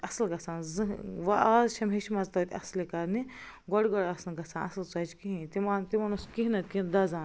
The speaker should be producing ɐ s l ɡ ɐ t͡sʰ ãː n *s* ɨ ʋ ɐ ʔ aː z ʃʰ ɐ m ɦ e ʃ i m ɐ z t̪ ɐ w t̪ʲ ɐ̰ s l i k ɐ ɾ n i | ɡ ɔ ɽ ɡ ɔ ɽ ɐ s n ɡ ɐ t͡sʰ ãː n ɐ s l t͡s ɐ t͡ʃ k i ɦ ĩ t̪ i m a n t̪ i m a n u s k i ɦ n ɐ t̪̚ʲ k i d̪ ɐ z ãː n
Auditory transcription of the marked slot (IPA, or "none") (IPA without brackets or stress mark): z